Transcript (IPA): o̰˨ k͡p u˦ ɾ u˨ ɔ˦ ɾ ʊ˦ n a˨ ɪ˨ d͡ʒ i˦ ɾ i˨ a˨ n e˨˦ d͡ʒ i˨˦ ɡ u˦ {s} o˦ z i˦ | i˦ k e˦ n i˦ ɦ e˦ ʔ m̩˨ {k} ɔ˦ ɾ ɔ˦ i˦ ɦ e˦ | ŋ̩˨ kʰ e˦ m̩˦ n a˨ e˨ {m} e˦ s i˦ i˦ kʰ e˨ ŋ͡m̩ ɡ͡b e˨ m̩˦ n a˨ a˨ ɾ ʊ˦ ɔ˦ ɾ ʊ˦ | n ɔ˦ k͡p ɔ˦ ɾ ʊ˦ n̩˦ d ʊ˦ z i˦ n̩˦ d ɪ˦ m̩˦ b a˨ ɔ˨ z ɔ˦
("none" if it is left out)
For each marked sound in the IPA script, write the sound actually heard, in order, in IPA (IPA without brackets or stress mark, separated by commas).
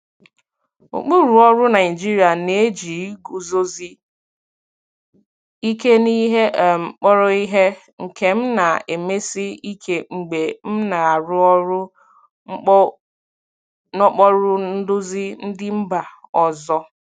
z, k͡p, m